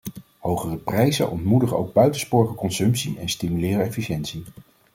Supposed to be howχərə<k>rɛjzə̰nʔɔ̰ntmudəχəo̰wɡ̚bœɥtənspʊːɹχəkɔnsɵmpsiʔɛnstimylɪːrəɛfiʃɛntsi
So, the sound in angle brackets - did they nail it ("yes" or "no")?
no